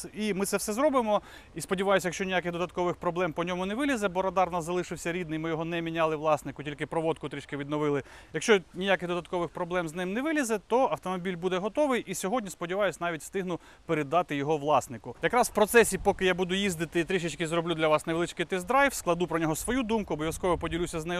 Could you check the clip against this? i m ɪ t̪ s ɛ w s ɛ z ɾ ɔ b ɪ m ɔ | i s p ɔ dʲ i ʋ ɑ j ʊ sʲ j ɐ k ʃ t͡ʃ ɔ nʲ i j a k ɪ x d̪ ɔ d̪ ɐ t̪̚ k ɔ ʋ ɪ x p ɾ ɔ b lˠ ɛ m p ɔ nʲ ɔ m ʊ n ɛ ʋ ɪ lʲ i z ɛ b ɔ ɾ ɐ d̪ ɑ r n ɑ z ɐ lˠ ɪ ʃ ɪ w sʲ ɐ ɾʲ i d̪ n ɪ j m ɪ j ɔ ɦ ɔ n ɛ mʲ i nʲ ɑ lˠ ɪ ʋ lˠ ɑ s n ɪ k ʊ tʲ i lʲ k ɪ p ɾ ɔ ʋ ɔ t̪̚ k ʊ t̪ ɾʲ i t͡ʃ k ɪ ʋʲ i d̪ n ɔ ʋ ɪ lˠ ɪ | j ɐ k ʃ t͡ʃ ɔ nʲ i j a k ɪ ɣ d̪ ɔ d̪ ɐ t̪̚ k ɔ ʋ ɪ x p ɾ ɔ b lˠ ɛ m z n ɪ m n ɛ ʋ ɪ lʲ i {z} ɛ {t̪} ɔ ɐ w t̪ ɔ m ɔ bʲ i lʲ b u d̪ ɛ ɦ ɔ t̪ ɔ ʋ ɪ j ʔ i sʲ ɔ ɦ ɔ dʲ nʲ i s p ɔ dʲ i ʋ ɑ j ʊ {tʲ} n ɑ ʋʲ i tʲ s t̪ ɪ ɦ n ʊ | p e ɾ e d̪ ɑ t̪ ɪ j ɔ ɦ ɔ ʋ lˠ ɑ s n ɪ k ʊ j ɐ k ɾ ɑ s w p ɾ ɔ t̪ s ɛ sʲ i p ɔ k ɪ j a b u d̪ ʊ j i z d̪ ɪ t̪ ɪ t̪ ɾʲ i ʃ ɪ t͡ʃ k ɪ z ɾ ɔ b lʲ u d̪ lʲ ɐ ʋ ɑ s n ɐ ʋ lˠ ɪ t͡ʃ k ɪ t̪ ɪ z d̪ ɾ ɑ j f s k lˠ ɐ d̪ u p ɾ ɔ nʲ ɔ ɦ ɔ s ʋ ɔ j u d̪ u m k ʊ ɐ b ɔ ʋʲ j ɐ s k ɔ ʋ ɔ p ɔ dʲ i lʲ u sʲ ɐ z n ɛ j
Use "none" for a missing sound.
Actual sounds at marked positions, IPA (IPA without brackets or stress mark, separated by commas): z, t̪, sʲ